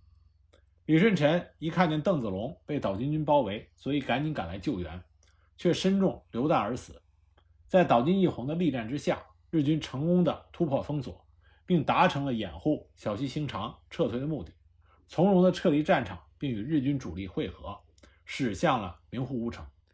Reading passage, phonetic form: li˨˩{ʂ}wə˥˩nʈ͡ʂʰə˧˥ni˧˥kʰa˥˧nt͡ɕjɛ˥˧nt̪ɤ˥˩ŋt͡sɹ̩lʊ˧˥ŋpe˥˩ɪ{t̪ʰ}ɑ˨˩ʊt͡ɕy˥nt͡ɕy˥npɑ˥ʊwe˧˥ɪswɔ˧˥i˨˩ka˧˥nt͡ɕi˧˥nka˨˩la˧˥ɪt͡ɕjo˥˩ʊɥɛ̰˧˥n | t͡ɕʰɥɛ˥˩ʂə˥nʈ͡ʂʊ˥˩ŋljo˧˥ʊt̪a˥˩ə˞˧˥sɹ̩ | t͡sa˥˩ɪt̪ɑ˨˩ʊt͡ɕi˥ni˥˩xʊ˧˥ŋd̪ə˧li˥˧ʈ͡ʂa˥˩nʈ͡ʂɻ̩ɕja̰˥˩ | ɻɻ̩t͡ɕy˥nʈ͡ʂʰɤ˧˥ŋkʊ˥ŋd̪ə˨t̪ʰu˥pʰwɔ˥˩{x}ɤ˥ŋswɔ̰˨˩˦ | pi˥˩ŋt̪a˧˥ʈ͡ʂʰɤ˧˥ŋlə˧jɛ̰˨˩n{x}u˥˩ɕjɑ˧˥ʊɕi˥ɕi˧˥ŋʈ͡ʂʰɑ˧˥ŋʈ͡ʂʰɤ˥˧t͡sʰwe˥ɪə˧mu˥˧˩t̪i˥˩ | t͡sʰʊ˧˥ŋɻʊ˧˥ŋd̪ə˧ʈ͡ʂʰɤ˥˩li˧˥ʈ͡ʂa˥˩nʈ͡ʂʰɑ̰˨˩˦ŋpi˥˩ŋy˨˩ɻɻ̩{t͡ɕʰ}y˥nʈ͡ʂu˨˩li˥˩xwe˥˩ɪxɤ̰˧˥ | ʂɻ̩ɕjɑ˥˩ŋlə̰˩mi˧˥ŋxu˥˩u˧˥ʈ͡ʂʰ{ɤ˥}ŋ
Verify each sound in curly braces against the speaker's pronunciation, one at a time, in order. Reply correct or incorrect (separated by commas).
correct, incorrect, incorrect, correct, incorrect, incorrect